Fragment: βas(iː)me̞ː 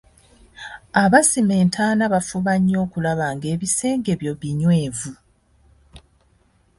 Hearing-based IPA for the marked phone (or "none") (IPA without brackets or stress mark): i